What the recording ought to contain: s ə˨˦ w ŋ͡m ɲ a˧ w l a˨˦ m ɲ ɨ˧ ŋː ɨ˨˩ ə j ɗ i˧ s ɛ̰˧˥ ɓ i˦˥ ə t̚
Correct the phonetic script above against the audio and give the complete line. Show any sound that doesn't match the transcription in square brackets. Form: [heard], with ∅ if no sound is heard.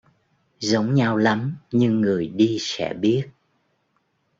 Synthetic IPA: [z] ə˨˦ w ŋ͡m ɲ a˧ w l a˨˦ m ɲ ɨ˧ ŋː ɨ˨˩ ə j ɗ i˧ s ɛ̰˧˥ ɓ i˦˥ ə t̚

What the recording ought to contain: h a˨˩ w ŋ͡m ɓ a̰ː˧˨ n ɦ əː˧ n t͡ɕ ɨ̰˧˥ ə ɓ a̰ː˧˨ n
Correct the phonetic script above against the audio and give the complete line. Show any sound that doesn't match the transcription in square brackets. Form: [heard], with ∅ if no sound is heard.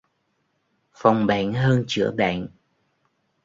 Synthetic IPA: [f] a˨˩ w ŋ͡m ɓ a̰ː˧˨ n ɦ əː˧ n t͡ɕ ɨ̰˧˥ ə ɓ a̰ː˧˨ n

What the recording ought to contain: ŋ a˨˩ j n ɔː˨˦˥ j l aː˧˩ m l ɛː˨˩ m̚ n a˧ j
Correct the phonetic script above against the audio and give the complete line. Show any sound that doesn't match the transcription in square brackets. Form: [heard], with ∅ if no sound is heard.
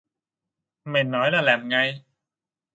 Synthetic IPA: [m] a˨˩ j n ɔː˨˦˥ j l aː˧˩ [∅] l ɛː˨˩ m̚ [ŋ] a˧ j

